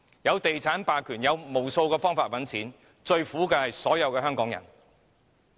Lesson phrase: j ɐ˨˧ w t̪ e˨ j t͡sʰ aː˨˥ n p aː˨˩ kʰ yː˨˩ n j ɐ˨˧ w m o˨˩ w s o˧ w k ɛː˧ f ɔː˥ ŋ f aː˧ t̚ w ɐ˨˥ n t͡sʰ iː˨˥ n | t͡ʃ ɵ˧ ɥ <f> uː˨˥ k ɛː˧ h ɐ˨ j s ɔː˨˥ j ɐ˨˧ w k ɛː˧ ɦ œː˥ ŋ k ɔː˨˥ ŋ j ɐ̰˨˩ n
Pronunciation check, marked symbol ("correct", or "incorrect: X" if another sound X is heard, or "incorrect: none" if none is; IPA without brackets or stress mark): correct